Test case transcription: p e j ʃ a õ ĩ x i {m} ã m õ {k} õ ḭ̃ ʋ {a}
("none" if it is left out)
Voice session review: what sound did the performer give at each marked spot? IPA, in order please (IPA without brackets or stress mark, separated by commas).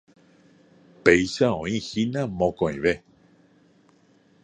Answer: n, k, e